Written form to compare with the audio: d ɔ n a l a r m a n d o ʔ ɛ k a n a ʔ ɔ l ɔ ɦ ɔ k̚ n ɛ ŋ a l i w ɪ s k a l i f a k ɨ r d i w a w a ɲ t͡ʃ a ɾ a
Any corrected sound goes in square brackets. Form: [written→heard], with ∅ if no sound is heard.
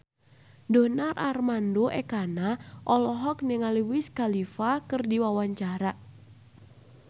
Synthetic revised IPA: d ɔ n a [l→r] a r m a n d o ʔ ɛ k a n a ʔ ɔ l ɔ ɦ ɔ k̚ n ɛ ŋ a l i w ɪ s k a l i f a k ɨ r d i w a w a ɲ t͡ʃ a ɾ a

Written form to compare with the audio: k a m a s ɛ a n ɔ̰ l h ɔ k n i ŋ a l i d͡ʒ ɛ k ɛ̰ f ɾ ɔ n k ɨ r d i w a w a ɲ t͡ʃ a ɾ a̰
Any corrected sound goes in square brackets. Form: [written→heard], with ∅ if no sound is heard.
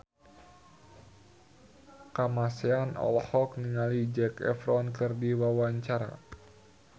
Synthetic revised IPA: k a m a s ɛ a n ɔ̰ l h ɔ k n i ŋ a l i d͡ʒ ɛ k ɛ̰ f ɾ ɔ n k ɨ r d i w a w a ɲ t͡ʃ a ɾ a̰

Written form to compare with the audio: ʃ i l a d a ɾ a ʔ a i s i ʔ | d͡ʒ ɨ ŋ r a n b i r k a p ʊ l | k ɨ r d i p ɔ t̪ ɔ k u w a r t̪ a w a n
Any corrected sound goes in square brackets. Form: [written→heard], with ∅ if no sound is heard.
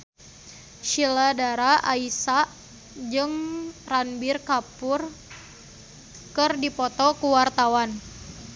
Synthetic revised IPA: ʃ i l a d a ɾ a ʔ a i s [i→a] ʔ | d͡ʒ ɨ ŋ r a n b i r k a p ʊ [l→r] | k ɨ r d i p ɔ t̪ ɔ k u w a r t̪ a w a n

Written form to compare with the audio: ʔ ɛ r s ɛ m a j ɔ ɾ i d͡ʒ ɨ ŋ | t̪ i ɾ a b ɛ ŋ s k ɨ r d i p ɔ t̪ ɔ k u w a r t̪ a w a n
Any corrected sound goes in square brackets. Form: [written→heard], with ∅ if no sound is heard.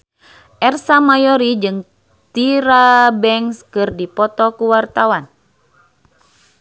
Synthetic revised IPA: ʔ ɛ r s [ɛ→a] m a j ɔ ɾ i d͡ʒ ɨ ŋ | t̪ i ɾ a b ɛ ŋ s k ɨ r d i p ɔ t̪ ɔ k u w a r t̪ a w a n

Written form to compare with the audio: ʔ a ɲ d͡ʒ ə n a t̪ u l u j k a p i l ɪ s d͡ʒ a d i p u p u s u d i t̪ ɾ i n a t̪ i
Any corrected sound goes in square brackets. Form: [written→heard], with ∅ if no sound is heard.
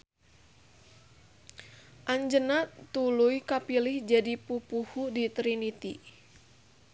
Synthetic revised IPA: ʔ a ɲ d͡ʒ ə n a t̪ u l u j k a p i l ɪ [s→h] d͡ʒ a d i p u p u [s→h] u d i t̪ ɾ i n [a→i] t̪ i

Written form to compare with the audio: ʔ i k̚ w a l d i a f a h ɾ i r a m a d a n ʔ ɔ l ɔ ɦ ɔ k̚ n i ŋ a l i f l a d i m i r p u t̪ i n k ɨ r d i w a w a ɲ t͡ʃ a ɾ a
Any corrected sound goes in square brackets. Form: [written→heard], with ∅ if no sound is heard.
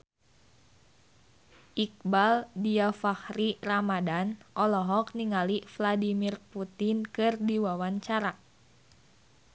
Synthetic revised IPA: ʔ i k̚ [w→b] a l d i a f a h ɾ i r a m a d a n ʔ ɔ l ɔ ɦ ɔ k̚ n i ŋ a l i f l a d i m i r p u t̪ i n k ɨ r d i w a w a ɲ t͡ʃ a ɾ a

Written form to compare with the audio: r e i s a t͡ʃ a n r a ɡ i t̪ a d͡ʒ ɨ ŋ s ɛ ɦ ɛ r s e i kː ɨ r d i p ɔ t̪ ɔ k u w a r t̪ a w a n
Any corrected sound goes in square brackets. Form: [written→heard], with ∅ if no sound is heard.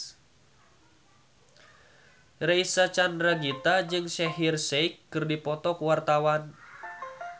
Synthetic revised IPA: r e i s a t͡ʃ a n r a ɡ i t̪ a d͡ʒ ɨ ŋ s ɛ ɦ [ɛ→i] r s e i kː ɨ r d i p ɔ t̪ ɔ k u w a r t̪ a w a n

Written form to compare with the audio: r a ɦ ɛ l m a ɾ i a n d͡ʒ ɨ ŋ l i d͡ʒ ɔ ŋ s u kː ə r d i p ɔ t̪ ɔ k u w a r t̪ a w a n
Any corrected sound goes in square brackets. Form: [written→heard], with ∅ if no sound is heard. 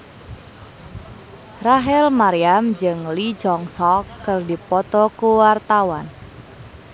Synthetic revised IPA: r a ɦ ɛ l m a ɾ i a [n→m] d͡ʒ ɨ ŋ l i d͡ʒ ɔ ŋ s [u→ɔ] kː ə r d i p ɔ t̪ ɔ k u w a r t̪ a w a n

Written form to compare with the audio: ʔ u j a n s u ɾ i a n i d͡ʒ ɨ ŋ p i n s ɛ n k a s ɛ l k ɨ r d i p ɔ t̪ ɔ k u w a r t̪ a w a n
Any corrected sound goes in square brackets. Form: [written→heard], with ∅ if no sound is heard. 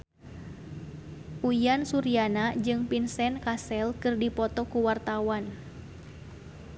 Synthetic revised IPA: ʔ u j a n s u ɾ i a n [i→a] d͡ʒ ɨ ŋ p i n s ɛ n k a s ɛ l k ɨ r d i p ɔ t̪ ɔ k u w a r t̪ a w a n

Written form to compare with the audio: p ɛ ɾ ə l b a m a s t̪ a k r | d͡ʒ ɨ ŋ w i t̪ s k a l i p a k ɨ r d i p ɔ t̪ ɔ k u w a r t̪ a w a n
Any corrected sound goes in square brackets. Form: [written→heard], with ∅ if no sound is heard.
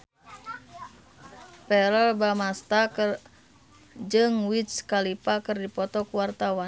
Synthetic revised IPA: p ɛ ɾ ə l b a m a s t̪ a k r | d͡ʒ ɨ ŋ w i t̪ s k a l i p a k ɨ r d i p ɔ t̪ ɔ k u w a r t̪ a w a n

